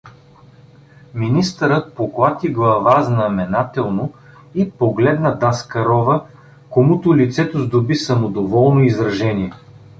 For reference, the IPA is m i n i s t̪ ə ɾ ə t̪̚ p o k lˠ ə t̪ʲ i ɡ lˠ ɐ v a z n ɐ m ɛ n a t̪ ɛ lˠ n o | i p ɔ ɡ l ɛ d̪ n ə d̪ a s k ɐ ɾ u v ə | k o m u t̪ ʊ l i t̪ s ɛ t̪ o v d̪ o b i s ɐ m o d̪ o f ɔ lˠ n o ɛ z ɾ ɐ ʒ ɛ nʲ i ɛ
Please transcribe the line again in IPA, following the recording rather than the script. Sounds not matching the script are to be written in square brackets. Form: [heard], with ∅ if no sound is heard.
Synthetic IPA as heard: m i n i s t̪ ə ɾ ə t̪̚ p o k lˠ [a] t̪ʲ i ɡ lˠ ɐ v a z n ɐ m ɛ n a t̪ ɛ lˠ n o | i p [o] ɡ l ɛ d̪ n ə d̪ a s k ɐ ɾ [ɔ] v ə | k o m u t̪ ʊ l i t̪ s ɛ t̪ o [z] d̪ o b i s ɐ m o d̪ o [v] ɔ lˠ n o [i] z ɾ ɐ ʒ ɛ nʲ i ɛ